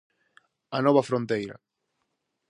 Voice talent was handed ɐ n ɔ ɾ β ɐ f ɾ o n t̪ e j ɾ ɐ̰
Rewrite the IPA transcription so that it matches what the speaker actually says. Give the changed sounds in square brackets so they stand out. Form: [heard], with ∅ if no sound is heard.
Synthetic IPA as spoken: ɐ n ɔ [∅] β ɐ f ɾ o n t̪ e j ɾ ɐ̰